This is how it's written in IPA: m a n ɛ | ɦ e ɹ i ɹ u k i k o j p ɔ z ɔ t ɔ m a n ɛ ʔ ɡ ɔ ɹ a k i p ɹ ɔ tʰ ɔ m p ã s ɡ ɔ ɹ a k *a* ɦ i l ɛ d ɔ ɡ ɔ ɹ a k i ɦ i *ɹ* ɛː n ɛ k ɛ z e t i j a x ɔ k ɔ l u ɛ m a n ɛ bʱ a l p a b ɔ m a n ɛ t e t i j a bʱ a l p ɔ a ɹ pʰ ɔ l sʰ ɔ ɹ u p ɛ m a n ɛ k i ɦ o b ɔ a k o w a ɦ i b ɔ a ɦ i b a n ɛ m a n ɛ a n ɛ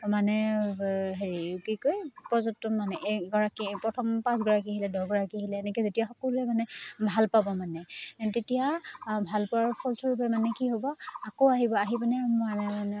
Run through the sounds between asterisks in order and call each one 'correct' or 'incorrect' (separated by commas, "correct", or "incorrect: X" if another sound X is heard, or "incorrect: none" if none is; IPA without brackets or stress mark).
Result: incorrect: i, incorrect: l